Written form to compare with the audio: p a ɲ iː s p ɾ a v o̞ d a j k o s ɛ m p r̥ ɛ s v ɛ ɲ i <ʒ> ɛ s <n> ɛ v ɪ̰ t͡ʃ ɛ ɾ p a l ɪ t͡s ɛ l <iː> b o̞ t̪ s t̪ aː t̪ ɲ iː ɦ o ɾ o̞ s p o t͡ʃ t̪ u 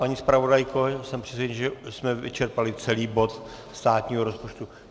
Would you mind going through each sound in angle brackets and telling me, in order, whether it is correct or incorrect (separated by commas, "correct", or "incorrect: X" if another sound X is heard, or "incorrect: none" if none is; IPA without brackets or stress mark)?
correct, incorrect: m, correct